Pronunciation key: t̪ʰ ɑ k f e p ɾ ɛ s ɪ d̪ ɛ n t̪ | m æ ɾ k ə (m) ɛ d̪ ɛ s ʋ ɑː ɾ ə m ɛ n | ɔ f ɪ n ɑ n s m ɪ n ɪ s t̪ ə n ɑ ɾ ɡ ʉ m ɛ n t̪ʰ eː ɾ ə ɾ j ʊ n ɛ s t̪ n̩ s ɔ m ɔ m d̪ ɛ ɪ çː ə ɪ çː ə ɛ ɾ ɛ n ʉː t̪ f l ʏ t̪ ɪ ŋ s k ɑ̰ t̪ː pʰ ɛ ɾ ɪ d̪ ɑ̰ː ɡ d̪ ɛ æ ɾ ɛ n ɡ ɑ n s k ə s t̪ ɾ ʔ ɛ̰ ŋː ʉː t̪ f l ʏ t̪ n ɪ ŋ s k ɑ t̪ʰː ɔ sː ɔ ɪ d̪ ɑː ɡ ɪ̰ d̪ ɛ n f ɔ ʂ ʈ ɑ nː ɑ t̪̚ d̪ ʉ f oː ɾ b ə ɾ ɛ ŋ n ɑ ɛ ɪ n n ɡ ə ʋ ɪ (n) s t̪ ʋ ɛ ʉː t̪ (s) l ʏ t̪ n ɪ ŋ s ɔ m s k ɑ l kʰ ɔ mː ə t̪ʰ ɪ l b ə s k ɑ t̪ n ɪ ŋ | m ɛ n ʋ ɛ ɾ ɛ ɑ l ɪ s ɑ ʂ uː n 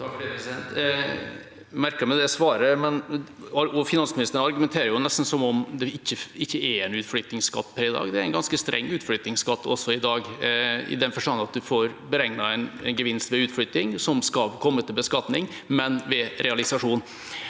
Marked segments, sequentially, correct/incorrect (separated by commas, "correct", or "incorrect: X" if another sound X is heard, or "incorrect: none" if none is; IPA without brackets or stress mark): correct, correct, incorrect: f